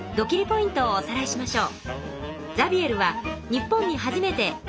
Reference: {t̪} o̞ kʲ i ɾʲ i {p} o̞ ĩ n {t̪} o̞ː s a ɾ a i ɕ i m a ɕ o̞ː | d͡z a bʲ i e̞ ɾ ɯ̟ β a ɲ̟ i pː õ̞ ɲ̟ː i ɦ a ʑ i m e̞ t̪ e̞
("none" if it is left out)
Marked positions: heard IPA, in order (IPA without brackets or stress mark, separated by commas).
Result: d̪, p, t̪